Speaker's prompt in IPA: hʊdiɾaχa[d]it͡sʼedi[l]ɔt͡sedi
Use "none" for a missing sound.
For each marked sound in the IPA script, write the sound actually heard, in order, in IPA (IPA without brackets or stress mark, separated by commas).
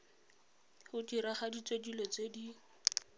d, l